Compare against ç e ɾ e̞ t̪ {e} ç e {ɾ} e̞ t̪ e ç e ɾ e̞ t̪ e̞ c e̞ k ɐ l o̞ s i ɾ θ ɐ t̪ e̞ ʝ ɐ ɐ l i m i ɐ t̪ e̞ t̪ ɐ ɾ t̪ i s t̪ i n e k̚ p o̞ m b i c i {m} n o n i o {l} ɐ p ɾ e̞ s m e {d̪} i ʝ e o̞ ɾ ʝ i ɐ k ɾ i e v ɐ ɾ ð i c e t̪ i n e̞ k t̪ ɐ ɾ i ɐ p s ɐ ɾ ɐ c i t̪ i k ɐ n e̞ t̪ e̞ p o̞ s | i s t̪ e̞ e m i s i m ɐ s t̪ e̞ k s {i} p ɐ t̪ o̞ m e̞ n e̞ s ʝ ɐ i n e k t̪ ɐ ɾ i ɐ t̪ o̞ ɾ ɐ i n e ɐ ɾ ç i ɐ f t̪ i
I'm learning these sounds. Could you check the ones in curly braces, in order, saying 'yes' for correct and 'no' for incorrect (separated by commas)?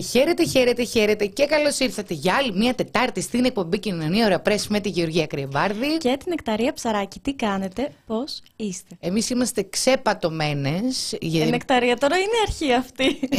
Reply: yes, yes, no, no, no, no